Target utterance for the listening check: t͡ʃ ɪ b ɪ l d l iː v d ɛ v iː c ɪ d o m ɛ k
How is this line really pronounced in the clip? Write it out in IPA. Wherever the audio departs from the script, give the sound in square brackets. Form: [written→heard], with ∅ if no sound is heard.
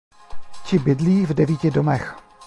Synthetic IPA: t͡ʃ ɪ b ɪ [l→∅] d l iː v d ɛ v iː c ɪ d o m ɛ [k→x]